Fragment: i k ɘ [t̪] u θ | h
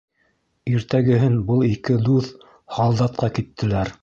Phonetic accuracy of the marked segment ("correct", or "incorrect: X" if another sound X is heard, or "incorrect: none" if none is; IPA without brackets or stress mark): incorrect: d̪